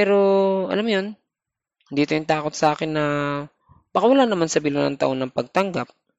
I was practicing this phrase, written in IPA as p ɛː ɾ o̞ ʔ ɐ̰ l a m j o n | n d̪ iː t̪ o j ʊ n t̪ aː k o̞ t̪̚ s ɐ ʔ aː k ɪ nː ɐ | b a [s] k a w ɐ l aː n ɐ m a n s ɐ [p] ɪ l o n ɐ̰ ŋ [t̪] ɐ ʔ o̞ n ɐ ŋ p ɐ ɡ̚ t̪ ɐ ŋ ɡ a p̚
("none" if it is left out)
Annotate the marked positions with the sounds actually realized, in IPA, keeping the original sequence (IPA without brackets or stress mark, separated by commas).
none, b, t̪